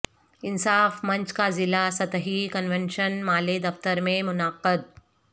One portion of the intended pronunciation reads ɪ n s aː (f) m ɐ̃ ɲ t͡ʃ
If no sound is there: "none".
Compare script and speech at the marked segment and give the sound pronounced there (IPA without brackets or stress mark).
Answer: f